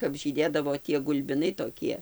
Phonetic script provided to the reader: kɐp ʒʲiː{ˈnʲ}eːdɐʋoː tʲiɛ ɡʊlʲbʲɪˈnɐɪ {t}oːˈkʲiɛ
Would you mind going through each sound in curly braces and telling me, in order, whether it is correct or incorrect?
incorrect: dʲ, correct

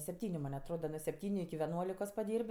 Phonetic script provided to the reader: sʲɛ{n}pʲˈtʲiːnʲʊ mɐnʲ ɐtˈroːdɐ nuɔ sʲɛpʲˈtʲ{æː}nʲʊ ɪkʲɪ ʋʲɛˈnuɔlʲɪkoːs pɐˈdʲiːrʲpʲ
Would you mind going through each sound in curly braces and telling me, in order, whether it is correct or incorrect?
incorrect: none, incorrect: iː

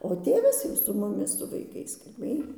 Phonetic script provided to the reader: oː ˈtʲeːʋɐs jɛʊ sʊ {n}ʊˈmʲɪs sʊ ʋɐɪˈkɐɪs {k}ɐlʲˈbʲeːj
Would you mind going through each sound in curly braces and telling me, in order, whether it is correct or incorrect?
incorrect: m, correct

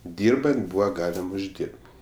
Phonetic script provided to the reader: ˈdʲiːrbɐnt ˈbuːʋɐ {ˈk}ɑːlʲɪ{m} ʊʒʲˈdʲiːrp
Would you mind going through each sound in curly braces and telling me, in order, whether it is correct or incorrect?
incorrect: ɡ, correct

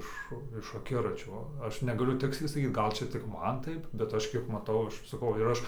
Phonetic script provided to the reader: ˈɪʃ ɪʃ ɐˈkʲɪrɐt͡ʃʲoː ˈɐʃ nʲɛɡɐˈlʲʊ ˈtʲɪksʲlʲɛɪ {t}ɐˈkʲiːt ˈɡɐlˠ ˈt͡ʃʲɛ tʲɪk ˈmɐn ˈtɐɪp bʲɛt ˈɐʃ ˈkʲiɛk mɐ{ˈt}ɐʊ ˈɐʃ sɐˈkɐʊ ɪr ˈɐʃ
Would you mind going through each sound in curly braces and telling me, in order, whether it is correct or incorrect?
incorrect: s, correct

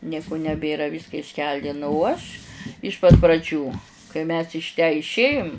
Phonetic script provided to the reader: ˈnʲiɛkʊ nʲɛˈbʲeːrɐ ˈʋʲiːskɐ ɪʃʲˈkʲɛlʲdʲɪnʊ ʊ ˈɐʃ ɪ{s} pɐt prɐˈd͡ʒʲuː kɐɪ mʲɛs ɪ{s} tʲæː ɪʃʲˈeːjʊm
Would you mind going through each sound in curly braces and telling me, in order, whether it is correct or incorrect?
incorrect: ʃ, incorrect: ʃ

